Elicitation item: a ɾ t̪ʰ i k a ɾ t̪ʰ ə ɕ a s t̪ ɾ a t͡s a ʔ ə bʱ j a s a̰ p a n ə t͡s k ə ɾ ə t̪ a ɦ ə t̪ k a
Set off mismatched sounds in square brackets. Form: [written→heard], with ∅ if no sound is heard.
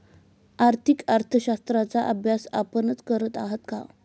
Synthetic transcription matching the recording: a ɾ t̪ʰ i k a ɾ t̪ʰ ə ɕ a s t̪ ɾ a t͡s a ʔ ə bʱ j a s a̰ p [a→ə] n ə t͡s k ə ɾ ə t̪ a ɦ ə t̪ k a